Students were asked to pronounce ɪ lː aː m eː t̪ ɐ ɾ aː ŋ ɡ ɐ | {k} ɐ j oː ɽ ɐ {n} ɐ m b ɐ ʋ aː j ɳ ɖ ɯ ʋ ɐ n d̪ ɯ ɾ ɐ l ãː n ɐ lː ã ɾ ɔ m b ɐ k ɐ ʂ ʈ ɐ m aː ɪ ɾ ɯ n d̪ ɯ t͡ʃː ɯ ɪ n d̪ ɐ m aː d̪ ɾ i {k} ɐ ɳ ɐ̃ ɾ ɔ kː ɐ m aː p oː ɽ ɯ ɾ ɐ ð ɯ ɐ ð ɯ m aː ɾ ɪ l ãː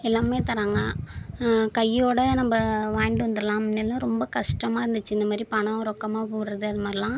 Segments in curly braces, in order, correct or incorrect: correct, correct, incorrect

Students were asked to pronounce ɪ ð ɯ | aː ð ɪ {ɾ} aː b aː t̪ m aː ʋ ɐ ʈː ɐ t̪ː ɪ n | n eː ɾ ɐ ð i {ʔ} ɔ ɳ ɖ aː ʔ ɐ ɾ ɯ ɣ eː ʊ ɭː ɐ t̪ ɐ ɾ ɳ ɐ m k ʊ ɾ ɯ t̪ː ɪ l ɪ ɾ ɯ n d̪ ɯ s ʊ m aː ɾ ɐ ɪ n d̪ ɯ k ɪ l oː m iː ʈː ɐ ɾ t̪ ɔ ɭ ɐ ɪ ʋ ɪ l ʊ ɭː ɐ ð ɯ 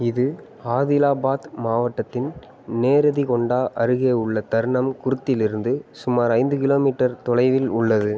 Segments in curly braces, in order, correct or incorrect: incorrect, incorrect

